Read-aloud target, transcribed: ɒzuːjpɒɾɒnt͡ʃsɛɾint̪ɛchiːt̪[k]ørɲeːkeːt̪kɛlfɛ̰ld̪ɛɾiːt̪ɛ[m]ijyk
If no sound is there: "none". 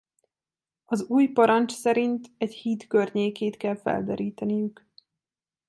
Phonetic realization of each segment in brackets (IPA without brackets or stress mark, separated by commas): k, n